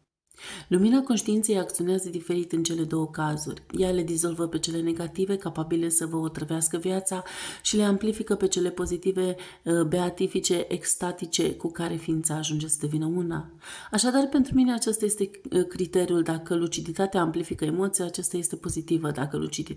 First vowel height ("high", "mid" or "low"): high